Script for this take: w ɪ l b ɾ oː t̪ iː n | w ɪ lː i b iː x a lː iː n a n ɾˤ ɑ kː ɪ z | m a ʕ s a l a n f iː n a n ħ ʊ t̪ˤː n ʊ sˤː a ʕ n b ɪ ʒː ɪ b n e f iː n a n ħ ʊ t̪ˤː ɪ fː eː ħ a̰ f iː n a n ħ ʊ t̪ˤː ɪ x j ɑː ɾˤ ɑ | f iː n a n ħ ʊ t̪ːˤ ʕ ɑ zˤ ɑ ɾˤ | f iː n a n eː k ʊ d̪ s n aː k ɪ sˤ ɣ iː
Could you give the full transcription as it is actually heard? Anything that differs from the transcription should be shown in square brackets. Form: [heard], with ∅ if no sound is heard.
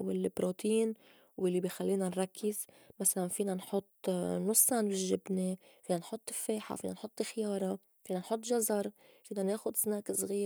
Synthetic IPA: w ɪ l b ɾ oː t̪ iː n | w ɪ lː i b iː x a lː iː n a n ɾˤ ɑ kː ɪ z | m a [∅] s a l a n f iː n a n ħ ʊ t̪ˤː n ʊ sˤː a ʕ n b ɪ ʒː ɪ b n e f iː n a n ħ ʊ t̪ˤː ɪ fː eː ħ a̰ f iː n a n ħ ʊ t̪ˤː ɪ x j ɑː ɾˤ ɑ | f iː n a n ħ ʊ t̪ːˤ [ʒ] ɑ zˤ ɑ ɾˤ | f iː n a n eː [x] ʊ d̪ s n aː k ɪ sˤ ɣ iː